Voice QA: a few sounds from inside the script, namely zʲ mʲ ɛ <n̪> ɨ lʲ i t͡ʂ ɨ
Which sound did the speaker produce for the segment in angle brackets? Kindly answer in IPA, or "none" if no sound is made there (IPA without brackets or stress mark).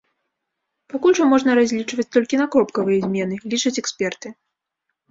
n̪